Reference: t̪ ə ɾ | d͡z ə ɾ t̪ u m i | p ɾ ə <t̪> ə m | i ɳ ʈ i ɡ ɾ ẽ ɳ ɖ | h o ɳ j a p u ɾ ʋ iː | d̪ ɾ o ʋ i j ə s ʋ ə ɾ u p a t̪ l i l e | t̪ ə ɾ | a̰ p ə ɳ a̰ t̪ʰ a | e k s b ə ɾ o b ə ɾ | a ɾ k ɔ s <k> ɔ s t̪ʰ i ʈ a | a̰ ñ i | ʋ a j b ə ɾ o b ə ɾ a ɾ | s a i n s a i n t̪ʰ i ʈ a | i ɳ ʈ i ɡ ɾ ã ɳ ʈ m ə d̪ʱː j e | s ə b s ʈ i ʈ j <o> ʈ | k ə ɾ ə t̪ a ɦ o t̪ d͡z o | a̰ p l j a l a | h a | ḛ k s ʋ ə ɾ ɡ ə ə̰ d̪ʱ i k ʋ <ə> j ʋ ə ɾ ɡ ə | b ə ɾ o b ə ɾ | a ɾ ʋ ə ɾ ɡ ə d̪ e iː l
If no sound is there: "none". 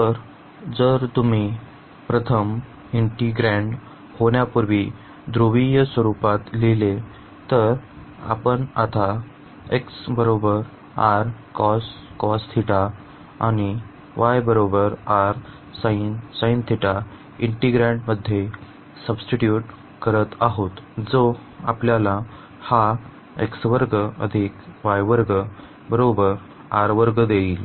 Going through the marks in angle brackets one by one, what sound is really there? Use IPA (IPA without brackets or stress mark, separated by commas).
t̪ʰ, k, u, a